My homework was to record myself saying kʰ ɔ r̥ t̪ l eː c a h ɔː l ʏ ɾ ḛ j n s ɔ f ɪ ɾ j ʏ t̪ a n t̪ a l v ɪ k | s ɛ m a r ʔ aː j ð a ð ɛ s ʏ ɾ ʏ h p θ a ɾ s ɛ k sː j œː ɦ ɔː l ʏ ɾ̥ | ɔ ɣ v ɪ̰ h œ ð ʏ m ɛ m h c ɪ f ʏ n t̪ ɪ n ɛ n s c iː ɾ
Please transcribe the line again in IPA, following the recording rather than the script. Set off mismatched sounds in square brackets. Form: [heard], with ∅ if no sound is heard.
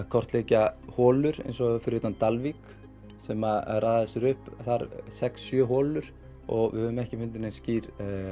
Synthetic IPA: kʰ ɔ r̥ t̪ l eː c a h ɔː l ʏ ɾ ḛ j n s ɔ f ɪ ɾ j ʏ t̪ a n t̪ a l v [i] k | s ɛ m a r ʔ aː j ð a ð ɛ s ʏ ɾ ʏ h p θ a ɾ s ɛ k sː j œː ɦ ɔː l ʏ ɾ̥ | ɔ ɣ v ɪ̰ h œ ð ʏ m ɛ [∅] h c ɪ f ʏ n t̪ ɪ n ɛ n s c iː ɾ